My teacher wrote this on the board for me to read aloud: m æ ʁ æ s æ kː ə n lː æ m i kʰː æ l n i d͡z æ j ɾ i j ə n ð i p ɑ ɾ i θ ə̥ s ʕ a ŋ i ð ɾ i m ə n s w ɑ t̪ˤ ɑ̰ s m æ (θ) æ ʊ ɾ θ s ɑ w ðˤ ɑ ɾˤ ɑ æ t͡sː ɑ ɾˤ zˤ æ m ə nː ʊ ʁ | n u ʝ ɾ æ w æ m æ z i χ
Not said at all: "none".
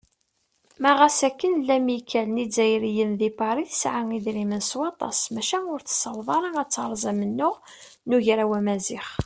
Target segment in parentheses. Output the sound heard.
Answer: ʃ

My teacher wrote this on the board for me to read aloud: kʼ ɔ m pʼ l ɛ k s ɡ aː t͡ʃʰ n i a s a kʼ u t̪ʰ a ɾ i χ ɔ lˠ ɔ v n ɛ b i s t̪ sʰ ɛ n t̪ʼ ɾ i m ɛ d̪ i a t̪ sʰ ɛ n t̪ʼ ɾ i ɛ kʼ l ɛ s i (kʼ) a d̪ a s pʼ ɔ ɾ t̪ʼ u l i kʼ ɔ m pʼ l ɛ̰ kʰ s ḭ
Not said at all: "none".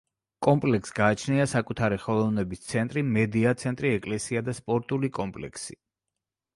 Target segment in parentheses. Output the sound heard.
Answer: none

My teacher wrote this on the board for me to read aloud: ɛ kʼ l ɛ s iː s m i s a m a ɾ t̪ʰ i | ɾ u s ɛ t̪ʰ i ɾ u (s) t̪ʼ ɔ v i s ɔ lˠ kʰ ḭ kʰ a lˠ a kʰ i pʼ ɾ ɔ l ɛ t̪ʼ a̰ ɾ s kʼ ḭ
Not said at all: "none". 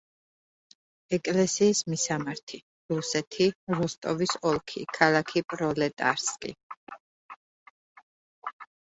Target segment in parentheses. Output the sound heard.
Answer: s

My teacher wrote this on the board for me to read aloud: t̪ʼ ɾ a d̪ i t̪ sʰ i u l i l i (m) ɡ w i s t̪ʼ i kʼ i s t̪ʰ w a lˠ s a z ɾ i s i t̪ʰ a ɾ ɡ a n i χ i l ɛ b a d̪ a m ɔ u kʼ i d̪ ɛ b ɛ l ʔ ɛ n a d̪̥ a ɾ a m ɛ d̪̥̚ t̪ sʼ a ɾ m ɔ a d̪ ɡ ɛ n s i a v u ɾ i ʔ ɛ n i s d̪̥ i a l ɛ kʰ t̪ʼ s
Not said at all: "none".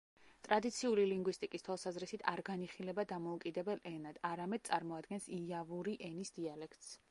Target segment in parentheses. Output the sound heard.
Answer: ŋ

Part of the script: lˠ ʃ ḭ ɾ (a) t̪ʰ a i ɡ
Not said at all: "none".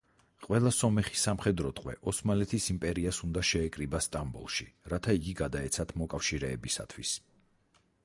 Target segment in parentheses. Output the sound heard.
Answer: a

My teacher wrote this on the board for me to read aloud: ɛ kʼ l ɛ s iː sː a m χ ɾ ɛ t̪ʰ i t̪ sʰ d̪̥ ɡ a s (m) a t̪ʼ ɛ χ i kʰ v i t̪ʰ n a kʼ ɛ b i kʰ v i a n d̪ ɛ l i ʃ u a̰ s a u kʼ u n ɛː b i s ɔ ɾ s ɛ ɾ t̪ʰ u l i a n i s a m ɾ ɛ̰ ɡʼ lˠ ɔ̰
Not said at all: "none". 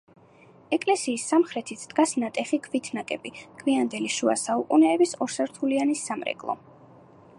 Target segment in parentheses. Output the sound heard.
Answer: n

